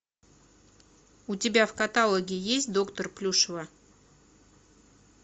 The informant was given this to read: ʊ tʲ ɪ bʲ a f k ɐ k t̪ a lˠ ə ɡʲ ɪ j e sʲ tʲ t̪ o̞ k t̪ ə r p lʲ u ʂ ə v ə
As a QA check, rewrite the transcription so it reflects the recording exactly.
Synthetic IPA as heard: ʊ tʲ ɪ bʲ a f k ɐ t̪ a lˠ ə ɡʲ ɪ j e sʲ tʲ d̪ o̞ k t̪ ə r p lʲ u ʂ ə v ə